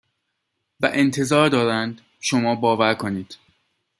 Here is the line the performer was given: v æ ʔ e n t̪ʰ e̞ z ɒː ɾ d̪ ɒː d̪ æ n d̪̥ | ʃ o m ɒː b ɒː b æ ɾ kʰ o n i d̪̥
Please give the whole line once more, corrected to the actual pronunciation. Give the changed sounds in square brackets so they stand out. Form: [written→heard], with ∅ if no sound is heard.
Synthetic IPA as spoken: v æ ʔ e n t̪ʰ e̞ z ɒː ɾ d̪ ɒː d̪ æ n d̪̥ | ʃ o m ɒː b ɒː [b→v] æ ɾ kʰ o n [i→iː] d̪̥